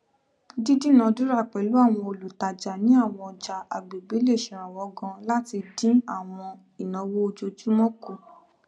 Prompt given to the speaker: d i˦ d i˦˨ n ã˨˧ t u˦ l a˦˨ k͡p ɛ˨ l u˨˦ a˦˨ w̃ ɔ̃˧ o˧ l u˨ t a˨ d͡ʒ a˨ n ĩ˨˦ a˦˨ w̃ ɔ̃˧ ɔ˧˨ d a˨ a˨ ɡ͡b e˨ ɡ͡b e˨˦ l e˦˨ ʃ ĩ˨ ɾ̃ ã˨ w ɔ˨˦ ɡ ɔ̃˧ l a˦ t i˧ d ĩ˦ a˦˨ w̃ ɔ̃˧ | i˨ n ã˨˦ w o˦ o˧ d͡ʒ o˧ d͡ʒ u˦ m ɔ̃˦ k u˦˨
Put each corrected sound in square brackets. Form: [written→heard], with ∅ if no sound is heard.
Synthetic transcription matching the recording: d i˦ d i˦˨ n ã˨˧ [t→d] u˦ [l→ɾ] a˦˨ k͡p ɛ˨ l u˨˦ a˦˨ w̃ ɔ̃˧ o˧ l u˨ t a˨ d͡ʒ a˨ n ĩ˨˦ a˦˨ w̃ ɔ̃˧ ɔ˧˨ [d→d͡ʒ] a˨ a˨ ɡ͡b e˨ ɡ͡b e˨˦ l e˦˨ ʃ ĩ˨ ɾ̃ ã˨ w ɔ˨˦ ɡ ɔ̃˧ l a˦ t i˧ d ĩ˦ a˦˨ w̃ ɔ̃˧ | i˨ n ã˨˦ w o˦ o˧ d͡ʒ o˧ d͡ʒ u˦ m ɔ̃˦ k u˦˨

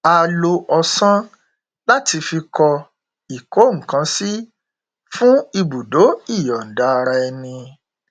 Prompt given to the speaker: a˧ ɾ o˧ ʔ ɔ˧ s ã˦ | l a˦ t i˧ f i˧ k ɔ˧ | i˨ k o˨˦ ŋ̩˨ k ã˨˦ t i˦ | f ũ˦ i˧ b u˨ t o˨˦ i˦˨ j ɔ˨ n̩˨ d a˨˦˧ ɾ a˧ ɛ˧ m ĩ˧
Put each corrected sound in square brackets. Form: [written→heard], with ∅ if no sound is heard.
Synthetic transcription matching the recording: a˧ [ɾ→l] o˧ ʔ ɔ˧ s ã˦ | l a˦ t i˧ f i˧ k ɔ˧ | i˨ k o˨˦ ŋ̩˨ k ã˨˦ [t→s] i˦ | f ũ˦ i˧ b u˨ [t→d] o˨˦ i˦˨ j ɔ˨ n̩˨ d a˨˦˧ ɾ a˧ ɛ˧ [m→n] ĩ˧

